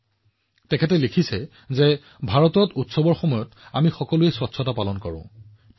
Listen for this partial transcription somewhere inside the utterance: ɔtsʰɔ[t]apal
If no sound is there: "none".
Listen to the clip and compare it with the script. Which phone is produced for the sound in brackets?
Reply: t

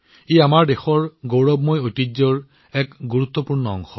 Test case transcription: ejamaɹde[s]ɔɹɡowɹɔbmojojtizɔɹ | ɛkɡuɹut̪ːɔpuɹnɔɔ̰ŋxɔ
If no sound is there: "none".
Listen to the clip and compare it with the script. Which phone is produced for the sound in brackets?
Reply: x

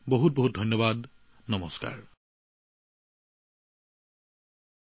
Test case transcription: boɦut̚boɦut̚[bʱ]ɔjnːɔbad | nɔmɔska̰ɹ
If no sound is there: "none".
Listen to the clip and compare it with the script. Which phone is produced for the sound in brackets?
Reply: dʱ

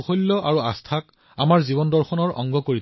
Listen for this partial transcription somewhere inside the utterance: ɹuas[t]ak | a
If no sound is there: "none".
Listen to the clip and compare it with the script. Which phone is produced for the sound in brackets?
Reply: tʰ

